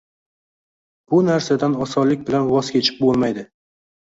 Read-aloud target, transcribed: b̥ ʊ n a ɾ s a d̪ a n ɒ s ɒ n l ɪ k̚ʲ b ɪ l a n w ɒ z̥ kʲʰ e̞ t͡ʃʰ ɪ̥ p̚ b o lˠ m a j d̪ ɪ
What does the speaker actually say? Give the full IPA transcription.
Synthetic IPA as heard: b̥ ʊ n a ɾ s a d̪ a n ɒ s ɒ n l ɪ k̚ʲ b ɪ l a n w ɒ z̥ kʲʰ e̞ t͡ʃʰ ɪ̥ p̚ b o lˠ m a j d̪ ɪ